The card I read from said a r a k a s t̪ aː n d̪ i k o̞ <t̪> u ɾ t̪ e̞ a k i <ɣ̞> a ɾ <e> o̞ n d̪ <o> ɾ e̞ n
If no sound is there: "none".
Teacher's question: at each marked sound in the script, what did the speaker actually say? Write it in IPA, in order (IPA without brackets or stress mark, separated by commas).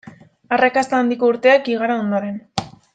none, ɣ̞, a, o